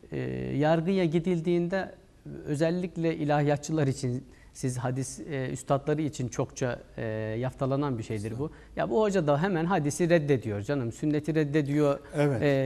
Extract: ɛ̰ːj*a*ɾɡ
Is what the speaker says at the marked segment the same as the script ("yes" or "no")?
yes